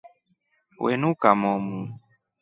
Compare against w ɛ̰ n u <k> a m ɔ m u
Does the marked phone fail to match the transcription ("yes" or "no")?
no